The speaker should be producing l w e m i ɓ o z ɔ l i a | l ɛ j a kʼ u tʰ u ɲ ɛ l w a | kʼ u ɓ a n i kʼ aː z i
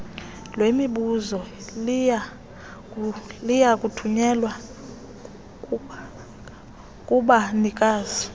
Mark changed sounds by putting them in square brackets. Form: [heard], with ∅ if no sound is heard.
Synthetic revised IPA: l w e m i ɓ [u] z ɔ l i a | l [i] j a kʼ u tʰ u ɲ ɛ l w a | kʼ u ɓ a n i kʼ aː z i